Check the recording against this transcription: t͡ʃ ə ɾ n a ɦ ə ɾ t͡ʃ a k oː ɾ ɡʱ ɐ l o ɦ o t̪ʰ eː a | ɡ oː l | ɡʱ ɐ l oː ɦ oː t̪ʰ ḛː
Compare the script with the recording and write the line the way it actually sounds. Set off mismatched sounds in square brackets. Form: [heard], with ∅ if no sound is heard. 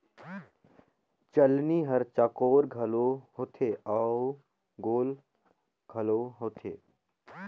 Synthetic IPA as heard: t͡ʃ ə [l] n [i] ɦ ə ɾ t͡ʃ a k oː ɾ ɡʱ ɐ l o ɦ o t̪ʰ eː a | ɡ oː l | ɡʱ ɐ l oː ɦ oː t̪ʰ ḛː